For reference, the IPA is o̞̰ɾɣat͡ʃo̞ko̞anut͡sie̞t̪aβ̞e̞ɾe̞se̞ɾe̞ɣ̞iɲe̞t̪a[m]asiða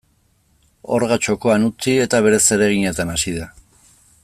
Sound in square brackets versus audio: incorrect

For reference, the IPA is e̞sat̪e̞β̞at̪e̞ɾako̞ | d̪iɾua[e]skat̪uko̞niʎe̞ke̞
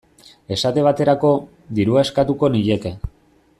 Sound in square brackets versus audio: correct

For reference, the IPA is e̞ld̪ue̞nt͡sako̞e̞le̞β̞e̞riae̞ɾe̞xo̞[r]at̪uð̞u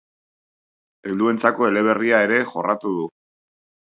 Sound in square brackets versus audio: correct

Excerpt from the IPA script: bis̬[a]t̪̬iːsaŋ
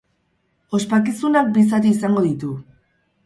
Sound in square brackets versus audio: correct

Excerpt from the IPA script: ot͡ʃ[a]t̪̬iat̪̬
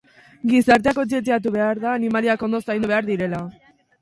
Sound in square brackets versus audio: incorrect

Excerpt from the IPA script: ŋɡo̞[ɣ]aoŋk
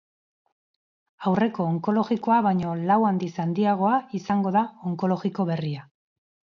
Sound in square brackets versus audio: incorrect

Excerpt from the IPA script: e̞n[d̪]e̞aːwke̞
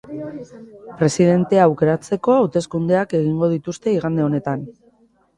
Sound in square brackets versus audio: incorrect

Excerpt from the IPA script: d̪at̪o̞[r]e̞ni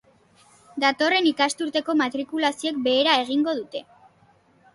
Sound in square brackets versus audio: correct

